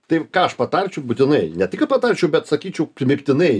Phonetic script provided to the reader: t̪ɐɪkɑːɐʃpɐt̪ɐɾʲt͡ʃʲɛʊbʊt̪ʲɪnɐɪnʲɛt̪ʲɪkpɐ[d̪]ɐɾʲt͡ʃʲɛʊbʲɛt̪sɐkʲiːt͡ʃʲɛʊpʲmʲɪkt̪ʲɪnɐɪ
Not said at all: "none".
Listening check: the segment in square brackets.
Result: t̪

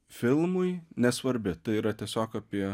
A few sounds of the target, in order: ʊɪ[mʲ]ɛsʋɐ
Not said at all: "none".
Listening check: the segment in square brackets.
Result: nʲ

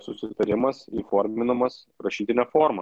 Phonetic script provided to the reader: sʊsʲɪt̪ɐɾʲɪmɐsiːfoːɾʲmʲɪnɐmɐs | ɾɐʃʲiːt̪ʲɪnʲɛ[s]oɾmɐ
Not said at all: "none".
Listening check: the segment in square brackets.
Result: f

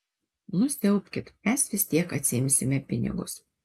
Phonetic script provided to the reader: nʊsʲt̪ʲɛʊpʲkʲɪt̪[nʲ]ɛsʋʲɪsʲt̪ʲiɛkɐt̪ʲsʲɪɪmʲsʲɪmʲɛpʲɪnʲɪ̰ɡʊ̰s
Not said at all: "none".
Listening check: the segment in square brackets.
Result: mʲ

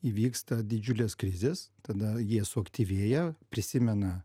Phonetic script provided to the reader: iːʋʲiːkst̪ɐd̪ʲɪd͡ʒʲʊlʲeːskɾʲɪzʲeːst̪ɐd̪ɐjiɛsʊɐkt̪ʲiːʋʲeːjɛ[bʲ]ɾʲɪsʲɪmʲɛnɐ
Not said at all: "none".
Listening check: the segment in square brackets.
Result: pʲ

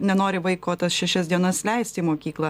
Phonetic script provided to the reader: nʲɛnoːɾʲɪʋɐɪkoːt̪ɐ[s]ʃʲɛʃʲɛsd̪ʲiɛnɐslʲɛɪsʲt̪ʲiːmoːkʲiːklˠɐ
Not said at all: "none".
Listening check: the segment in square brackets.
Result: s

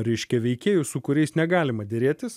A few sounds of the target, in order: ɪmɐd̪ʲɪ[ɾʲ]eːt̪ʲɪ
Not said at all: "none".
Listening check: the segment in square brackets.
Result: ɾʲ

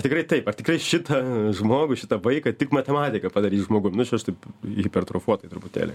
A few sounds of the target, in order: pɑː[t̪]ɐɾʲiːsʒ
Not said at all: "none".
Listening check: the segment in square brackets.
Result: d̪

